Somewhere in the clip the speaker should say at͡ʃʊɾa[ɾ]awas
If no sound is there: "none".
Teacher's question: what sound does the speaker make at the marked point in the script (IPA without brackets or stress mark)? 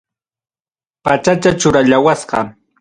ʎ